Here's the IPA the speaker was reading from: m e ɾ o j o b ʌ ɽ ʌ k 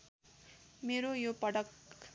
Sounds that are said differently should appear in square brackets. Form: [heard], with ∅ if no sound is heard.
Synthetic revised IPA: m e ɾ o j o [p] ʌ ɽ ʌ k